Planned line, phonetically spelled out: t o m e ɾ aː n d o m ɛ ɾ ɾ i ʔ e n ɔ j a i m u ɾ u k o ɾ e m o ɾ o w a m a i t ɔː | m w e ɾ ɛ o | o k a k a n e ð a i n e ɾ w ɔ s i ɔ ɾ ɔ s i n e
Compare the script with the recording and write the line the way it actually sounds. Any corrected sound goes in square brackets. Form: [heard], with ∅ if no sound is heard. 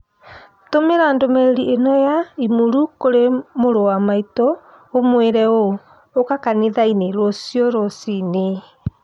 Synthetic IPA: t o m e ɾ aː n d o m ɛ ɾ ɾ i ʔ e n ɔ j a i m u ɾ u k o ɾ e m o ɾ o w a m a i t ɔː | m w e ɾ ɛ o | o k a k a n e ð a i n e ɾ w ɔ s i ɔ ɾ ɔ s i n e